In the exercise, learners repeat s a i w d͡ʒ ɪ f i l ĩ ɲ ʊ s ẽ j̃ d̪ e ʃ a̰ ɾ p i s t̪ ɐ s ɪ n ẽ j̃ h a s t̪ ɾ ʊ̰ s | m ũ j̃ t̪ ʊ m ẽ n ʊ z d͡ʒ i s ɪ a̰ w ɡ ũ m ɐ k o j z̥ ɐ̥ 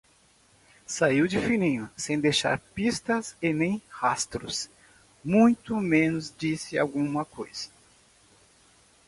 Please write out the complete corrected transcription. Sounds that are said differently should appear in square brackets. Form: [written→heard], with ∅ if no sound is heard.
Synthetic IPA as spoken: s a i w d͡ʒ ɪ f i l ĩ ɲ ʊ s ẽ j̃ d̪ e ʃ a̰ ɾ p i s t̪ ɐ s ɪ n ẽ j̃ h a s t̪ ɾ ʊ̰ s | m ũ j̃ t̪ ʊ m ẽ n ʊ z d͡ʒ i s ɪ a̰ w ɡ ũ m ɐ k o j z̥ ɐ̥